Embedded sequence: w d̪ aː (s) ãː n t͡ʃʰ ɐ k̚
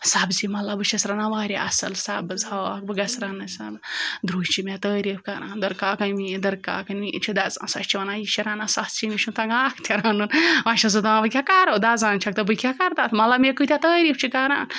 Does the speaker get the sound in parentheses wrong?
yes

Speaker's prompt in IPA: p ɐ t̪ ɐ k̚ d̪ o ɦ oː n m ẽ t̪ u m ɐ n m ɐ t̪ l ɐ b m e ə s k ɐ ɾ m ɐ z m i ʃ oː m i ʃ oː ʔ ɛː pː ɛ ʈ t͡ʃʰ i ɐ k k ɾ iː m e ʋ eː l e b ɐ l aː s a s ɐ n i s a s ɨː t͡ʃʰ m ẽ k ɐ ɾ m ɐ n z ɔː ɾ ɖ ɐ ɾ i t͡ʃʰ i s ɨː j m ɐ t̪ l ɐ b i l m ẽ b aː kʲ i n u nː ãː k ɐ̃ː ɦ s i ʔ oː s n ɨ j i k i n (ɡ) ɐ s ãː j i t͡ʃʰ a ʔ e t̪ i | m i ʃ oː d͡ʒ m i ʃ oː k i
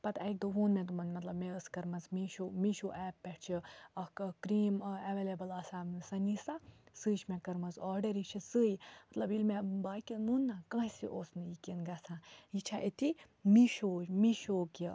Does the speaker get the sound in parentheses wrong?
no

